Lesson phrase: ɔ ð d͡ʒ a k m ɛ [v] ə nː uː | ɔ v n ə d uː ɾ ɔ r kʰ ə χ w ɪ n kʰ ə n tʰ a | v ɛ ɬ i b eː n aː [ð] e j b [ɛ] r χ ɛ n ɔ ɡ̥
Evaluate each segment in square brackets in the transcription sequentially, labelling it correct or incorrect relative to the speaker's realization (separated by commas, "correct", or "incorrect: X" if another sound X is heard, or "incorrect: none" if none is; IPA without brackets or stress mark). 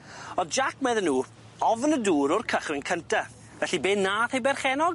incorrect: ð, incorrect: θ, correct